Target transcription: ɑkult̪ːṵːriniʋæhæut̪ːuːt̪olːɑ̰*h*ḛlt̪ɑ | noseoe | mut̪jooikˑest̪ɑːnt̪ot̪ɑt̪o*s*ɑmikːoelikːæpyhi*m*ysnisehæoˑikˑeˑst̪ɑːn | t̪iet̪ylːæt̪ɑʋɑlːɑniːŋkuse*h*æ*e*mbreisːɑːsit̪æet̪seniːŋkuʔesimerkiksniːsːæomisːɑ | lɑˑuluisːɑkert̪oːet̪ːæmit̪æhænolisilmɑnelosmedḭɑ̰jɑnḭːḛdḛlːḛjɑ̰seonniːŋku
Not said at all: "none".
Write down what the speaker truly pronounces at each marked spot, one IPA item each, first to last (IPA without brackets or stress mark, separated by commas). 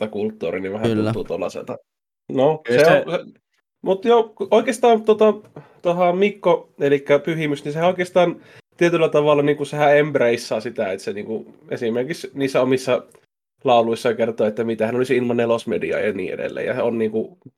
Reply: s, h, m, h, e